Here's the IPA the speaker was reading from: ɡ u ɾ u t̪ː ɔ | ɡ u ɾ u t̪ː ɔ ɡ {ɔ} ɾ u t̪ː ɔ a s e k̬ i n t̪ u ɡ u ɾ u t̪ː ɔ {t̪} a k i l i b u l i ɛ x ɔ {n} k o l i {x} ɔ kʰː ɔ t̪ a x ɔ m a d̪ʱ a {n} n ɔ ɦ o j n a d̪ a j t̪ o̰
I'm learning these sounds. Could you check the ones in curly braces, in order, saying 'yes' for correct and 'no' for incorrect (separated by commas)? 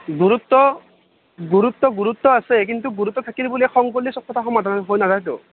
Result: no, no, no, no, yes